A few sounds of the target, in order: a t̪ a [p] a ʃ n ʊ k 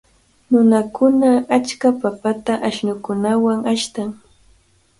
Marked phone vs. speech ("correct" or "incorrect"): incorrect